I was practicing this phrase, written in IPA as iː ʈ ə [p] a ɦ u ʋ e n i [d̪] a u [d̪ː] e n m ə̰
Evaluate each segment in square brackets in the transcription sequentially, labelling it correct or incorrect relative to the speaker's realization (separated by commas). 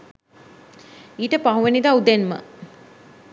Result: correct, correct, incorrect